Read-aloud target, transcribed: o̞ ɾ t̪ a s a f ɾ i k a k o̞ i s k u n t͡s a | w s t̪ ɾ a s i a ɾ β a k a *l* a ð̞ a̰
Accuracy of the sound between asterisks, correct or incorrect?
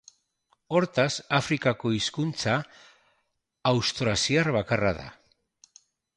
incorrect